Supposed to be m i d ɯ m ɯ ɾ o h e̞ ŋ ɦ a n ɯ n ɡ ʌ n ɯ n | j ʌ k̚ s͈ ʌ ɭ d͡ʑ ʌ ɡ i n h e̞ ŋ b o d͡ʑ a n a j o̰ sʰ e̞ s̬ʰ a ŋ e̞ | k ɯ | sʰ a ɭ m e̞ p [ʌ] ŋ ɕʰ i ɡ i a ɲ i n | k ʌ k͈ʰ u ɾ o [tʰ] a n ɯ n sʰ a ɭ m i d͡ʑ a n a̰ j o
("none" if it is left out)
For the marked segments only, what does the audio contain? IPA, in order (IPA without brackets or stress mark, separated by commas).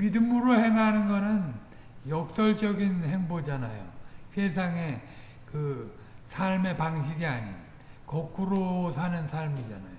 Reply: a, sʰ